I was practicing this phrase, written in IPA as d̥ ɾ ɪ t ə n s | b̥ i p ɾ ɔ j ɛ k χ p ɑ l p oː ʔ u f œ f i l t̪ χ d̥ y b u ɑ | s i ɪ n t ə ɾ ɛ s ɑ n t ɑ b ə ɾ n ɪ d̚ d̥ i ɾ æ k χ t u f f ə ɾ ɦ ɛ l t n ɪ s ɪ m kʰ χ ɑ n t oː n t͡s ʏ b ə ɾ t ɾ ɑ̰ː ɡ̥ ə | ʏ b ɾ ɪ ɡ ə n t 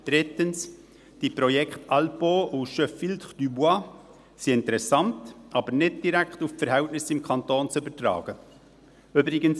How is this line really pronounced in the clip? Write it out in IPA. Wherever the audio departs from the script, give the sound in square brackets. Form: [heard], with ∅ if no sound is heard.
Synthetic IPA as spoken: d̥ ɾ ɪ t ə n s | [d̥] i p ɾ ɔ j ɛ k χ [t] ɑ l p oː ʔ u [ʃ] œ f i l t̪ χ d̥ y b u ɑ | s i ɪ n t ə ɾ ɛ s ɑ n t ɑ b ə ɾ n ɪ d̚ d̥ i ɾ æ k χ t u f f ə ɾ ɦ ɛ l t n ɪ s ɪ m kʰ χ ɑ n t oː n t͡s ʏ b ə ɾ t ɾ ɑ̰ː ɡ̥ ə | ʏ b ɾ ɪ ɡ ə n [s]